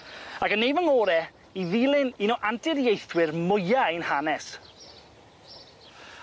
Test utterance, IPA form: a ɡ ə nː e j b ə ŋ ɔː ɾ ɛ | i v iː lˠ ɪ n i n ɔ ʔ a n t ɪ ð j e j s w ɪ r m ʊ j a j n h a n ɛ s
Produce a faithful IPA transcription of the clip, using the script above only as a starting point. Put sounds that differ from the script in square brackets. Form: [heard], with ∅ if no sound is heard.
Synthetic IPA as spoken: a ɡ ə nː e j [v] ə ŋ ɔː ɾ ɛ | i [ð] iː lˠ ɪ n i n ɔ ʔ a n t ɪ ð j e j [θ] w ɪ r m ʊ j a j n h a n ɛ s